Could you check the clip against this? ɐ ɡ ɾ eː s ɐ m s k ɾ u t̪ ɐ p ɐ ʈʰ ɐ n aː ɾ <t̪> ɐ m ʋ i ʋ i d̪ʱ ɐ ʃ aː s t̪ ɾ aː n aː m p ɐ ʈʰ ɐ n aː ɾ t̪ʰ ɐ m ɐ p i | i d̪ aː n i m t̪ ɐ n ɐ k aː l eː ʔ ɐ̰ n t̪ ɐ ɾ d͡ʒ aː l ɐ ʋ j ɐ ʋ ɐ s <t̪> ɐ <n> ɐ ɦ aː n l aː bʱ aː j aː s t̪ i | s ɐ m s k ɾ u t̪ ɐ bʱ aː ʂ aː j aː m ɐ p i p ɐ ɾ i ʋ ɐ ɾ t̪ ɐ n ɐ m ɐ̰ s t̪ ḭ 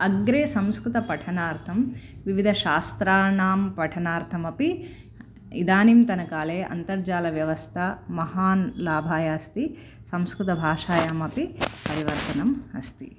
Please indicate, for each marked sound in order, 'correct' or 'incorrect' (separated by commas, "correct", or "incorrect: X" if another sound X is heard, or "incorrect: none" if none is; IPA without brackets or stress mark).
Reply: incorrect: t̪ʰ, incorrect: t̪ʰ, incorrect: m